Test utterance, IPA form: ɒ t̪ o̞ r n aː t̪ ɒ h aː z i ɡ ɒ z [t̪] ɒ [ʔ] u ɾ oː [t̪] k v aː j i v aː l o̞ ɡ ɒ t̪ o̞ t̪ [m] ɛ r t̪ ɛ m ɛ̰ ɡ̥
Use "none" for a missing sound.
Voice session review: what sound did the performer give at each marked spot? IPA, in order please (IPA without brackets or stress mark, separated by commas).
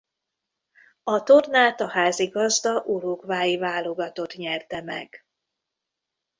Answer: d̪, ʔ, none, ɲ